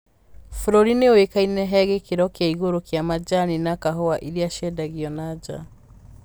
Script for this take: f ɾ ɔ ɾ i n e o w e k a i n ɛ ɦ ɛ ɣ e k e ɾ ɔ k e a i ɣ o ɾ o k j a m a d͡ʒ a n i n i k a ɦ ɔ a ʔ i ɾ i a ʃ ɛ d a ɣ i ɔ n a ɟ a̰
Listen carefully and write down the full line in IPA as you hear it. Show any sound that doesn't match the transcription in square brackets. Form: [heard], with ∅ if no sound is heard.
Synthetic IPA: f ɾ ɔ ɾ i n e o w e k a i n ɛ ɦ ɛ ɣ e k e ɾ ɔ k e a i ɣ o ɾ o k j a m a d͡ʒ a n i n [a] k a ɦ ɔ a ʔ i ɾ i a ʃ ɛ d a ɣ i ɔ n a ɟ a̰